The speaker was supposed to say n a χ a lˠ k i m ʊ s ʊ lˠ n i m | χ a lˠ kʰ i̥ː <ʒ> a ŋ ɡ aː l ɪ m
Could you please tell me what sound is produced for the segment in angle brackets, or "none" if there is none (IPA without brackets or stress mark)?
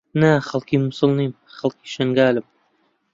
ʃ